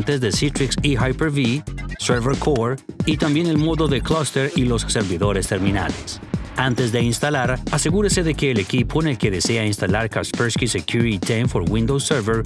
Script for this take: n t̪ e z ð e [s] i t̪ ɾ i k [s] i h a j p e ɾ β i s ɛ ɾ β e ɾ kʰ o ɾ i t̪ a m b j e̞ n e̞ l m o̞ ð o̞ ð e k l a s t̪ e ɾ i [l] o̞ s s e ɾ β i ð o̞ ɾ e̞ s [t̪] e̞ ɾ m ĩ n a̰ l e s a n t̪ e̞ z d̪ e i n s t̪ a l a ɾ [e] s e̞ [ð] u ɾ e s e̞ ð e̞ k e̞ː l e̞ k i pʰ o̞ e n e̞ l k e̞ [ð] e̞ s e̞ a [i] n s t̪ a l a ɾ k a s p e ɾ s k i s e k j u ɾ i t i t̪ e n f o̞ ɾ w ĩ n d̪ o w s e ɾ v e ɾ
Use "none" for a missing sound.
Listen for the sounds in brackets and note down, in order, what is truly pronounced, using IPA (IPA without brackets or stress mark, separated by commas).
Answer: s, s, l, t̪, a, ɣ, ð, i